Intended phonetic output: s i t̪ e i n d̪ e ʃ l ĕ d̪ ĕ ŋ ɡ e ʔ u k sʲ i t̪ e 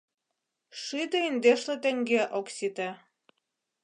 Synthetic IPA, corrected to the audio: ʃ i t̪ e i n d̪ e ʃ l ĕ t̪ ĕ ŋ ɡ e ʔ o k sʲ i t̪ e